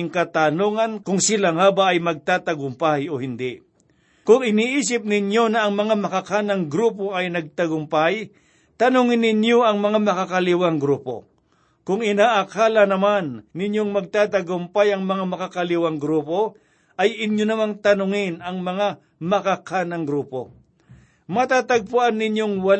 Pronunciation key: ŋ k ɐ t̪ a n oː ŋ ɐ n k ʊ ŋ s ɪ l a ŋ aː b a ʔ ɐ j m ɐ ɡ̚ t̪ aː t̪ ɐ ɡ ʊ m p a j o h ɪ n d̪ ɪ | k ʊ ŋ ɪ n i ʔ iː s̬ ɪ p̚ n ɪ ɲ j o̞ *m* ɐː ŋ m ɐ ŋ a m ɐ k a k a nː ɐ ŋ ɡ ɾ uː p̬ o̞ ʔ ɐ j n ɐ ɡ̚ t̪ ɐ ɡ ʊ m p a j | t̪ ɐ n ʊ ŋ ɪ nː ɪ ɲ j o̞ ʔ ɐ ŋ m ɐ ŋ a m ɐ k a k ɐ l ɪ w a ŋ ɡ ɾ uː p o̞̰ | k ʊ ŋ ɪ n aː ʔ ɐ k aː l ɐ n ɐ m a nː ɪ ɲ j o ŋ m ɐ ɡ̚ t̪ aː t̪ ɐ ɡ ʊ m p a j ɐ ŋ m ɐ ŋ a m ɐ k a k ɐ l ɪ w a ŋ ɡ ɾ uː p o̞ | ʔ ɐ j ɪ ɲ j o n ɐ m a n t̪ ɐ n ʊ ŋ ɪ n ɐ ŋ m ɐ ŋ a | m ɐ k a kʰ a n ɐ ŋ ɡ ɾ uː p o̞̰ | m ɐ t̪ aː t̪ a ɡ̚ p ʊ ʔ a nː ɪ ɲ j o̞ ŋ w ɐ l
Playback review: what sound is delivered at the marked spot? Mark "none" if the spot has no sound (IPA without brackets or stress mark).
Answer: n